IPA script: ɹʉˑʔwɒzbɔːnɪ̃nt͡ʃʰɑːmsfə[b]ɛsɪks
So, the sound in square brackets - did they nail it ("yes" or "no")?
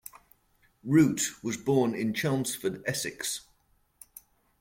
no